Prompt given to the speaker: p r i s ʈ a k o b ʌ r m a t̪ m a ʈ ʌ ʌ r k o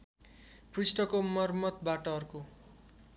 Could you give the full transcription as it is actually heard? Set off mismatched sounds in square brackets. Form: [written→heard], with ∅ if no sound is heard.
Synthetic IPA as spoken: p r i s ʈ [a→ʌ] k o [b→m] ʌ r m [a→ʌ] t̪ [m→b] a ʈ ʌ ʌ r k o